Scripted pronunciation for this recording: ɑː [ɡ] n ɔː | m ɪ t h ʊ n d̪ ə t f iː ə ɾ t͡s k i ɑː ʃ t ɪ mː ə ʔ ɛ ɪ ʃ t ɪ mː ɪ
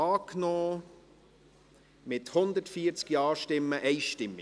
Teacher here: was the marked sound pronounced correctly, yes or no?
no